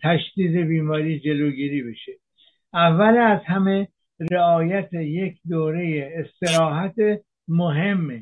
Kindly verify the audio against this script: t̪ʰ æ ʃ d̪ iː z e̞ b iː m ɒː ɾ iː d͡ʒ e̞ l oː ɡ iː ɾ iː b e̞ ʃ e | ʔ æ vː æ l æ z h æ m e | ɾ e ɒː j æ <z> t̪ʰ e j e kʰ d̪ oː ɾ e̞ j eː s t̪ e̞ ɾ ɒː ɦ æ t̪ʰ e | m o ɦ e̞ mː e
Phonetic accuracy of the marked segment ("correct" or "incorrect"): incorrect